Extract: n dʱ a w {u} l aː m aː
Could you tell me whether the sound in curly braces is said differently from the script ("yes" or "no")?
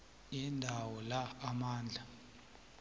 yes